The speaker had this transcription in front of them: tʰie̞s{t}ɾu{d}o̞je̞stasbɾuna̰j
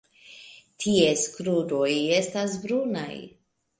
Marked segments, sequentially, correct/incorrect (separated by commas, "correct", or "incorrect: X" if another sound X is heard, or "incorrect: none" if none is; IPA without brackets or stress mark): incorrect: k, correct